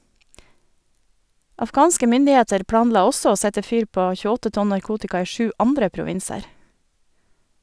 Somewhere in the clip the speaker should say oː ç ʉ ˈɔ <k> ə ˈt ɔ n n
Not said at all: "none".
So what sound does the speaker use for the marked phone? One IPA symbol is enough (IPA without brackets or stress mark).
t